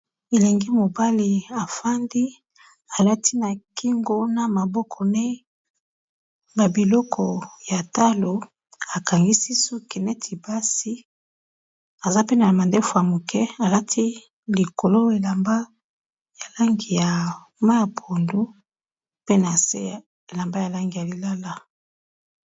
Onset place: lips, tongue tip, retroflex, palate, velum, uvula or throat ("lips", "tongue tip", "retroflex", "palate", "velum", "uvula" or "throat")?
tongue tip